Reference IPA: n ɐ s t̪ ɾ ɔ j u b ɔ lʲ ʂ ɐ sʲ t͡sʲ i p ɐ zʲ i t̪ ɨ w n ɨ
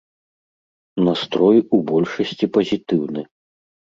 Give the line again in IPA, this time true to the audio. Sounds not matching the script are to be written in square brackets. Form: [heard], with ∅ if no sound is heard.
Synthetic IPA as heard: n [a] s t̪ ɾ ɔ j u b ɔ lʲ ʂ ɐ sʲ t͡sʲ i p ɐ zʲ i t̪ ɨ w n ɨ

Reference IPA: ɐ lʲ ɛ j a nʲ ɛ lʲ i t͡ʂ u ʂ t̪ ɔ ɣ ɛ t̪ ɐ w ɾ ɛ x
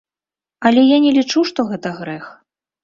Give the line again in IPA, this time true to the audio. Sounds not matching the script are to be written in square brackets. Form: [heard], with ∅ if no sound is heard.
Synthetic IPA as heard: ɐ lʲ ɛ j a nʲ ɛ lʲ i t͡ʂ u ʂ t̪ ɔ ɣ ɛ t̪ ɐ [ɣ] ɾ ɛ x

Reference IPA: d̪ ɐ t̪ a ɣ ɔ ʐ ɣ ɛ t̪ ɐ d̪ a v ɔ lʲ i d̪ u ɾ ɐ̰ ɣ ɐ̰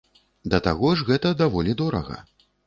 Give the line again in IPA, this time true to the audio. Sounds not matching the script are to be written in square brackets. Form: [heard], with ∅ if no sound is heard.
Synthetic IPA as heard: d̪ ɐ t̪ a ɣ ɔ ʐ ɣ ɛ t̪ ɐ d̪ a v ɔ lʲ i d̪ [ɔ] ɾ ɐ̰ ɣ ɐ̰

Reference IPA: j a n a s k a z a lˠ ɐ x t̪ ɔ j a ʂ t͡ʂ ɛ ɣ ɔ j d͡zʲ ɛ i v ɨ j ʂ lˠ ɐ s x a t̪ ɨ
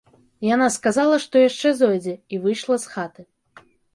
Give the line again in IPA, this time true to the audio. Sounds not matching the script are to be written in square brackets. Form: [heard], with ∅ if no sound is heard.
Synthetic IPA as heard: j a n a s k a z a lˠ ɐ [ʂ] t̪ ɔ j a ʂ t͡ʂ ɛ [z] ɔ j d͡zʲ ɛ i v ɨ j ʂ lˠ ɐ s x a t̪ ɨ

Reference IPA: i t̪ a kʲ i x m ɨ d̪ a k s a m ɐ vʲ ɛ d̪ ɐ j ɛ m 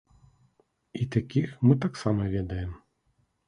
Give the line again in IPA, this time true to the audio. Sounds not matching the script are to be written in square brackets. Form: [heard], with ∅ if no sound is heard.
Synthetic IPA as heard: i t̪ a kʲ i x m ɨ [t̪] a k s a m ɐ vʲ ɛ d̪ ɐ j ɛ m

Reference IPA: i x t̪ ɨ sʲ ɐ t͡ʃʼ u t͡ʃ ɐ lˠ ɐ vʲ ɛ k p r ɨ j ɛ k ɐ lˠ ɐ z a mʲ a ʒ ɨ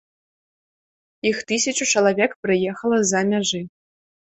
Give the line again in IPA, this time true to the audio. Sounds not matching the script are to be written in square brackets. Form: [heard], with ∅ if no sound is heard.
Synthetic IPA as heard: i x t̪ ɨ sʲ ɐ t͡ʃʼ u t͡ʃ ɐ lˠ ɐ vʲ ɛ k p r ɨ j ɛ [x] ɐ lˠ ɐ z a mʲ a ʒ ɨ

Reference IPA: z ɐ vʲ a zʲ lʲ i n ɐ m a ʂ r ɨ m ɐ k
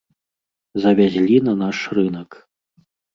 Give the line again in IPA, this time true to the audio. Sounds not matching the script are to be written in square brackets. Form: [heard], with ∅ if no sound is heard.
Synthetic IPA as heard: z ɐ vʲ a zʲ lʲ i n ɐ [n] a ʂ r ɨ [n] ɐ k

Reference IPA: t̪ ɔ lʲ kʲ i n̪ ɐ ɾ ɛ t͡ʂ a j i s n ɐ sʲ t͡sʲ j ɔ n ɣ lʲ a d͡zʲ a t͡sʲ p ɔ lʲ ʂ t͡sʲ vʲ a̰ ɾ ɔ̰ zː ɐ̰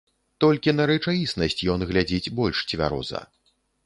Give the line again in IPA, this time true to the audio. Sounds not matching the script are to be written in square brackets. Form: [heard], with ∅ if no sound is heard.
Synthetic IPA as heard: t̪ ɔ lʲ kʲ i n̪ ɐ ɾ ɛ t͡ʂ a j i s n ɐ sʲ t͡sʲ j ɔ n ɣ lʲ a d͡zʲ [i] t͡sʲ [b] ɔ lʲ ʂ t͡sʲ vʲ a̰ ɾ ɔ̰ [z] ɐ̰

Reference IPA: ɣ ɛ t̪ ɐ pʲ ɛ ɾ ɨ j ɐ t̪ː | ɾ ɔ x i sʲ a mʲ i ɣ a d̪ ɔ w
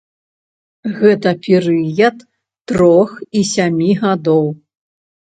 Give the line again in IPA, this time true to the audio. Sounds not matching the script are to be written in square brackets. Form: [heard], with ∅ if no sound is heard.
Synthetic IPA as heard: ɣ ɛ t̪ ɐ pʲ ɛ ɾ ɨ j ɐ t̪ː | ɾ ɔ x i sʲ a mʲ i ɣ a d̪ ɔ w

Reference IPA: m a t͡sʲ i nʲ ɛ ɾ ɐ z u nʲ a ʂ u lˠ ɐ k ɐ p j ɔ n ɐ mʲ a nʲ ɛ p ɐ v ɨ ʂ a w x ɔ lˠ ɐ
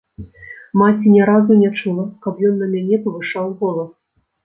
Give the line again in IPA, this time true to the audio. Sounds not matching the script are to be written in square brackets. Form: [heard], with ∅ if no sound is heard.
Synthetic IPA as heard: m a t͡sʲ i nʲ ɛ ɾ [a] z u nʲ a [t͡ʂ] u lˠ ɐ k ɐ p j ɔ [nː] ɐ mʲ a nʲ ɛ p ɐ v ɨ ʂ a w [ɣ] ɔ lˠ ɐ

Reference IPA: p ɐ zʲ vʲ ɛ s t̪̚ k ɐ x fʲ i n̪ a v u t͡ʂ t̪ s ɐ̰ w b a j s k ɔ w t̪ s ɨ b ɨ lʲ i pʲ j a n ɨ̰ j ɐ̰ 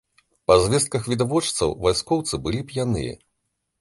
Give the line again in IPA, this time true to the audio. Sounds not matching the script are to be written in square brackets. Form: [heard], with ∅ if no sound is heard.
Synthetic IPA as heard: p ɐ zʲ vʲ ɛ s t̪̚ k ɐ x [vʲ] i [d̪] a v [ɔ] t͡ʂ t̪ s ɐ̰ w [v] a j s k ɔ w t̪ s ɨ b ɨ lʲ i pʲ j a n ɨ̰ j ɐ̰

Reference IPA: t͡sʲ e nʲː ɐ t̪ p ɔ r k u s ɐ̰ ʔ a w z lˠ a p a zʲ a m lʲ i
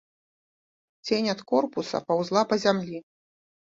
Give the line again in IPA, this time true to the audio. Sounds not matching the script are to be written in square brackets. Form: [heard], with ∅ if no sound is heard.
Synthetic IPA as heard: t͡sʲ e [nʲ] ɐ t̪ [k] ɔ r [p] u s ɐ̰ [p] a w z lˠ a p [ɐ] zʲ a m lʲ i

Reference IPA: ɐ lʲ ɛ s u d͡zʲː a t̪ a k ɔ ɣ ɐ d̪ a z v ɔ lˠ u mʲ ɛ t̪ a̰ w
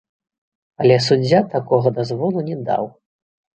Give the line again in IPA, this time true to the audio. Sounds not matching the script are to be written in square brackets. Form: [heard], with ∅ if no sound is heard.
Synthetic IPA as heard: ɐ lʲ ɛ s u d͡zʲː a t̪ a k ɔ ɣ ɐ d̪ a z v ɔ lˠ u [nʲ] ɛ [d̪] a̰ w

